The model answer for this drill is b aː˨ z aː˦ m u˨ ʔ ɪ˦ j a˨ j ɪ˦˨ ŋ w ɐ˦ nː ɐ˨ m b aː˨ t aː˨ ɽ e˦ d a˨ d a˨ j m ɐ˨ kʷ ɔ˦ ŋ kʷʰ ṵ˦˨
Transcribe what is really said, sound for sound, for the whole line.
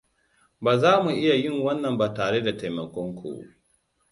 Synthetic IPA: b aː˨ z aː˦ m u˨ ʔ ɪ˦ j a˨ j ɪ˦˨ ŋ w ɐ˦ nː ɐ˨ m b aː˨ t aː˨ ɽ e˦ d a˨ t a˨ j m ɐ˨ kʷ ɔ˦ ŋ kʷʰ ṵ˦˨

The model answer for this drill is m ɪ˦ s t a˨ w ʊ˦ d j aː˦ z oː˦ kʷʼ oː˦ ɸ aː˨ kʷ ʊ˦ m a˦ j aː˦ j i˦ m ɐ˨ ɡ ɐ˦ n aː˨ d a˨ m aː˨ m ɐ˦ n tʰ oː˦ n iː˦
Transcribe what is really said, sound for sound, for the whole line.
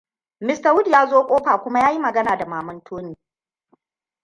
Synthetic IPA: m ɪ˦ s t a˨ w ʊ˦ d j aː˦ z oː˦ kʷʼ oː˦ ɸ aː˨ kʷ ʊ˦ m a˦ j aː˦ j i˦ m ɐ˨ ɡ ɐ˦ n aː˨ d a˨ m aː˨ m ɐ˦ n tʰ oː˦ n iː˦

